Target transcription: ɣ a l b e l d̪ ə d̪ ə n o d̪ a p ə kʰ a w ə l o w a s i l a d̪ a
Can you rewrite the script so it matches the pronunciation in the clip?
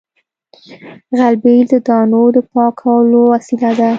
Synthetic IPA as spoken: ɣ a l b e l d̪ ə d̪ ɑ n o d̪ ə p ɑ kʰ a w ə l o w a s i l a d̪ a